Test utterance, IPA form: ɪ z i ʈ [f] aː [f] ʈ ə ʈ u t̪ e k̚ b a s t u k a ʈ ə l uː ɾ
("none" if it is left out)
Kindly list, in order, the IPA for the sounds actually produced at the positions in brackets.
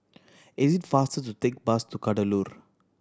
f, s

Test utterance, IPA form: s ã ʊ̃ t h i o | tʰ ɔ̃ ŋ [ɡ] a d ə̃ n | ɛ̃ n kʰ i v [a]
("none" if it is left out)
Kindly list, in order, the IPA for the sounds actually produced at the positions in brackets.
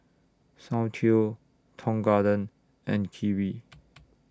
ɡ, i

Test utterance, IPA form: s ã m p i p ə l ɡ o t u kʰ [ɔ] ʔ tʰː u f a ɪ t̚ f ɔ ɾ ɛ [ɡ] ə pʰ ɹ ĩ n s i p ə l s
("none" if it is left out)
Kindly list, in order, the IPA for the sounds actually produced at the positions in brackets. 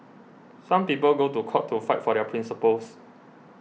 ɔ, none

